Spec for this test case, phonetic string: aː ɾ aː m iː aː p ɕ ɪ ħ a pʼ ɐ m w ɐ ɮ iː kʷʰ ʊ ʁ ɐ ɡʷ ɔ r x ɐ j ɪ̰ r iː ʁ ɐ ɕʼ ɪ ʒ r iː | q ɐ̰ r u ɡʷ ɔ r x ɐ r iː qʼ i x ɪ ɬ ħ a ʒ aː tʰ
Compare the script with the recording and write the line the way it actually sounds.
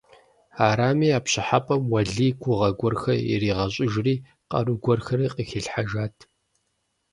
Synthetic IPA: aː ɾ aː m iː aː p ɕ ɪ ħ a pʼ ɐ m w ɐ ɮ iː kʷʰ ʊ ʁ ɐ ɡʷ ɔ r x ɐ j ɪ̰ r iː ʁ ɐ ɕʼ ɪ ʒ r iː | q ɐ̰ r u ɡʷ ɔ r x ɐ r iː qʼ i x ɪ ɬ ħ a ʒ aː tʰ